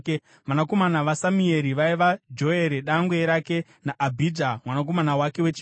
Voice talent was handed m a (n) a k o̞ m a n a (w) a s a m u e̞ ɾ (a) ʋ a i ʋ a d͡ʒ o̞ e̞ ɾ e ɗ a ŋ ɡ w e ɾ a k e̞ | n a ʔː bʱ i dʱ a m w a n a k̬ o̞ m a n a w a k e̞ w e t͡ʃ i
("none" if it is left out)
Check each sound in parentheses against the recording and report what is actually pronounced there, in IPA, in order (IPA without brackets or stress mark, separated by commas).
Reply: n, ʋ, i